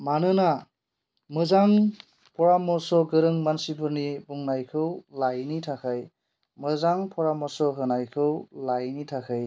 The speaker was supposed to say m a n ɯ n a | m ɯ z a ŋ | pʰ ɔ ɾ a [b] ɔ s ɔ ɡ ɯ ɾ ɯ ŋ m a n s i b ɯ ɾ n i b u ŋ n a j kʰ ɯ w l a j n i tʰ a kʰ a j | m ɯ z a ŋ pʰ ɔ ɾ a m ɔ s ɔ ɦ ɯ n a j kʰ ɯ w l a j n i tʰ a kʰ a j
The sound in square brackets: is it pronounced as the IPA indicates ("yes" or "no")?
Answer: no